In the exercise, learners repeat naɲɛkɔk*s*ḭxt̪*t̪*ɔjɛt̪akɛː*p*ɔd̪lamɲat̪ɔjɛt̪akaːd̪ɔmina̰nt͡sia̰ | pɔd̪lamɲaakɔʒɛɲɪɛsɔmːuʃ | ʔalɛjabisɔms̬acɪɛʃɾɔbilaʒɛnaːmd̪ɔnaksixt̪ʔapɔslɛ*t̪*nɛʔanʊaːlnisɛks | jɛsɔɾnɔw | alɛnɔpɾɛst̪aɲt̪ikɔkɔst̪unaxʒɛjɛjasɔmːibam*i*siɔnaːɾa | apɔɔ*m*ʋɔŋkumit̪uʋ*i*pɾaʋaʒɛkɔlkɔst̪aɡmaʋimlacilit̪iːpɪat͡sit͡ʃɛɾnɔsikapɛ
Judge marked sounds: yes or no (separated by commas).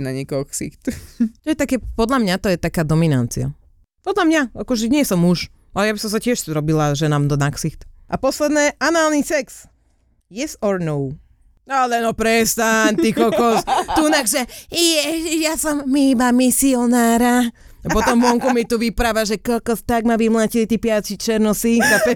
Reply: yes, yes, yes, no, yes, yes, yes